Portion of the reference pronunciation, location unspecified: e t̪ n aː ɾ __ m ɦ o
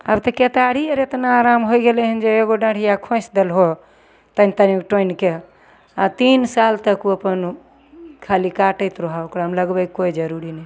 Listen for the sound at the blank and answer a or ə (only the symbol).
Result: a